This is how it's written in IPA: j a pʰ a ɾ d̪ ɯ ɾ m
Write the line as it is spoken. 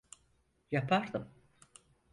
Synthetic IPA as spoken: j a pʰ a ɾ d̪ ɯ m